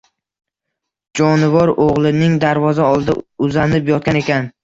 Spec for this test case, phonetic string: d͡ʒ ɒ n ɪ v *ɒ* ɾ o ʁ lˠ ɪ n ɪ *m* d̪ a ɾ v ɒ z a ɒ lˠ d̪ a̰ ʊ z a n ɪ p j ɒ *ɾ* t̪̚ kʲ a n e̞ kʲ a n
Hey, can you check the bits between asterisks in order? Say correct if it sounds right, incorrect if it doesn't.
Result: correct, incorrect: ŋ, incorrect: none

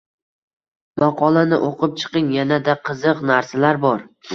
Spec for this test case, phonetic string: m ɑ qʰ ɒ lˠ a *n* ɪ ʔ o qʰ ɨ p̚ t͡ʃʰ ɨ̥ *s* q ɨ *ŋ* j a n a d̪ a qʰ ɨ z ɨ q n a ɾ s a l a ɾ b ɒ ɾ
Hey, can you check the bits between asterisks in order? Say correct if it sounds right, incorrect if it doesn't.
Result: correct, incorrect: none, correct

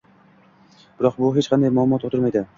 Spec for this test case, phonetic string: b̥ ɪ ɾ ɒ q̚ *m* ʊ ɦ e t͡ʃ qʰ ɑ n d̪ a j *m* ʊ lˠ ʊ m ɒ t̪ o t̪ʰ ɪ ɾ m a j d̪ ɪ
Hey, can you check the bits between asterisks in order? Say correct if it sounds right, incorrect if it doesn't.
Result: incorrect: b, correct

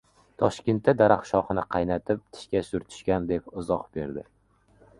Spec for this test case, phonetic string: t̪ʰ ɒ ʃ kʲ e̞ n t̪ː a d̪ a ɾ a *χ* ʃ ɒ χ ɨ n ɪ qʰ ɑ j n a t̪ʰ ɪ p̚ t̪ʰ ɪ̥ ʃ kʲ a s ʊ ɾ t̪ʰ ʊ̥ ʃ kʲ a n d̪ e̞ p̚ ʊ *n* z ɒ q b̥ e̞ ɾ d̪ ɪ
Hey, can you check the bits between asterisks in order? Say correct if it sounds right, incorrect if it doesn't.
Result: correct, incorrect: none

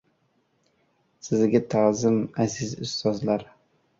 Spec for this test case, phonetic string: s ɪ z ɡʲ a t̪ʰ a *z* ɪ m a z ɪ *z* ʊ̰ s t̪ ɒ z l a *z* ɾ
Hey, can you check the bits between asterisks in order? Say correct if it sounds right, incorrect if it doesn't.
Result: correct, correct, incorrect: none

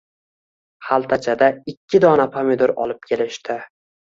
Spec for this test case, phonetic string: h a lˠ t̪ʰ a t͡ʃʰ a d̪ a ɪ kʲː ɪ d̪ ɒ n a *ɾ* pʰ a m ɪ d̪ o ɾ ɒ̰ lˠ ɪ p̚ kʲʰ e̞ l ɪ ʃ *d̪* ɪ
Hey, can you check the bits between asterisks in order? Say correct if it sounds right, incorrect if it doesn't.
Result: incorrect: none, incorrect: t̪

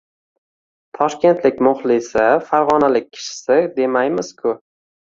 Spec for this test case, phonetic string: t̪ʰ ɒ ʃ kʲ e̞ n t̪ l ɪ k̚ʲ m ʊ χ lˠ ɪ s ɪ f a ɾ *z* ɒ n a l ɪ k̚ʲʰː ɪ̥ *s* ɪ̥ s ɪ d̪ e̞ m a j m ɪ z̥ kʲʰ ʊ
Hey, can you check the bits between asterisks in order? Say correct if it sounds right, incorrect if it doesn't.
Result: incorrect: ʁ, incorrect: ʃ

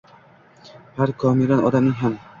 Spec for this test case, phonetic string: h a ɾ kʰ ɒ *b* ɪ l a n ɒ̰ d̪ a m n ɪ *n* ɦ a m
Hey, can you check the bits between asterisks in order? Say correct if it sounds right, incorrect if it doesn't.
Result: incorrect: m, incorrect: ŋ

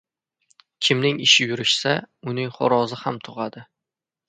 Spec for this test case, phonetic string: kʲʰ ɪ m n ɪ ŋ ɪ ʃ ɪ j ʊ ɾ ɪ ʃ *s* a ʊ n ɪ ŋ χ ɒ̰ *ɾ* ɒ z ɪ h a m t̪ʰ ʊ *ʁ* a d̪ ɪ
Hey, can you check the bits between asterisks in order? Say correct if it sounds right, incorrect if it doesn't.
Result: correct, correct, correct

